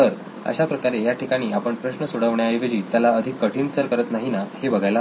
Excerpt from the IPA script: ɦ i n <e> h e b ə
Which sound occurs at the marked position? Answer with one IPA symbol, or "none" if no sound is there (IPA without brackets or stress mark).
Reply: a